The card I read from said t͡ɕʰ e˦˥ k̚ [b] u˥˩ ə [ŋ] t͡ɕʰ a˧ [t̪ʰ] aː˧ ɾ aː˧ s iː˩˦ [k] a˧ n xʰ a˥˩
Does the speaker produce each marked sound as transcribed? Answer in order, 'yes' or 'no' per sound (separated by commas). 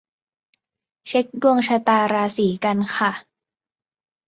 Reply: no, yes, no, yes